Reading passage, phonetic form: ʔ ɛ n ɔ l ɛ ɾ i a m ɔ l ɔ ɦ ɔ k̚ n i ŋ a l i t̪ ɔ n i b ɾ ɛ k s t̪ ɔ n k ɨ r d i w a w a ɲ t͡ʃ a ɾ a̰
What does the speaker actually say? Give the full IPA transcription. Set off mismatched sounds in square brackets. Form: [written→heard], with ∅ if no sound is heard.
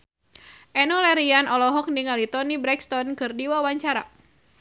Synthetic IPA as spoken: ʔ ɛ n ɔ l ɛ ɾ i a [m→n] ɔ l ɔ ɦ ɔ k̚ n i ŋ a l i t̪ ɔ n i b ɾ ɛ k s t̪ ɔ n k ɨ r d i w a w a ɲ t͡ʃ a ɾ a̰